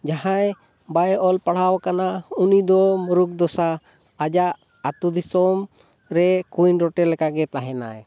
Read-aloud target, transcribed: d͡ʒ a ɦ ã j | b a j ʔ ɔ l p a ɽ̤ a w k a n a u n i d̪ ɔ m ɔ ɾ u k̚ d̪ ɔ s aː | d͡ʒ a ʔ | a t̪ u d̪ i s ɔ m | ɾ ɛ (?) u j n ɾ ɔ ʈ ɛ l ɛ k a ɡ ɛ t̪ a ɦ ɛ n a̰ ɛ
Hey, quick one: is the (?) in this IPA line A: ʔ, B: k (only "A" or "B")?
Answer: B